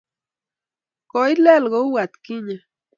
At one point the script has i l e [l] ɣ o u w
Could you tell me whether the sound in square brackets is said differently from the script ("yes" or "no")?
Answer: no